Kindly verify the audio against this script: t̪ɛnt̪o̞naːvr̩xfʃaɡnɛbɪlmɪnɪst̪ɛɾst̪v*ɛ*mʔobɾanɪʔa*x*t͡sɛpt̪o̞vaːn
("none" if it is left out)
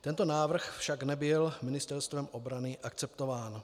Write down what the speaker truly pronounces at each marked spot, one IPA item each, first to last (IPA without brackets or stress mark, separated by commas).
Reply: ɛ, k